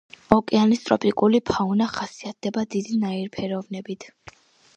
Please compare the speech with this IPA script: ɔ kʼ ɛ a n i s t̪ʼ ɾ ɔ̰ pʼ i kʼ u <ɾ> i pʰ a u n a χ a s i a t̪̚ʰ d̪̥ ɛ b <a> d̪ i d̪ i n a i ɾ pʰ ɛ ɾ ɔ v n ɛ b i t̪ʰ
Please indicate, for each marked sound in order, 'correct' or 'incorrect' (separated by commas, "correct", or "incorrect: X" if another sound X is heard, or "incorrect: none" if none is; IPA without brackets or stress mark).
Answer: incorrect: l, correct